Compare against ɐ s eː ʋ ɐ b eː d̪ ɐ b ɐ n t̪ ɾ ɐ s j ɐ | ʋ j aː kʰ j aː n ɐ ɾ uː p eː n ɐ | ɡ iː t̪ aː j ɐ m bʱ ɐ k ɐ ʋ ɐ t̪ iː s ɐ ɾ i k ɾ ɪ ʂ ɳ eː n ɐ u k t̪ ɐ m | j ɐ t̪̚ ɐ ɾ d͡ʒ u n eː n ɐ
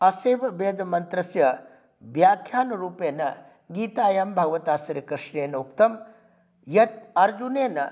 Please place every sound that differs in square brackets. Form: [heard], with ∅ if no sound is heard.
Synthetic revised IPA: ɐ s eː ʋ ɐ b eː d̪ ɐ [m] ɐ n t̪ ɾ ɐ s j ɐ | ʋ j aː kʰ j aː n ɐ ɾ uː p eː n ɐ | ɡ iː t̪ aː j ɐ m bʱ ɐ [ɡ] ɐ ʋ ɐ t̪ [aː] s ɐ ɾ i k ɾ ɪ ʂ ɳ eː n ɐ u k t̪ ɐ m | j ɐ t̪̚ ɐ ɾ d͡ʒ u n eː n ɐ